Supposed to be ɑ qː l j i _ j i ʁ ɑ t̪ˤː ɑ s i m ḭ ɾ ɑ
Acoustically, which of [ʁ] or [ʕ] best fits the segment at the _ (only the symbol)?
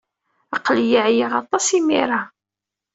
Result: ʕ